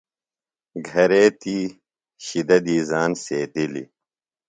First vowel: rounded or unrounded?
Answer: unrounded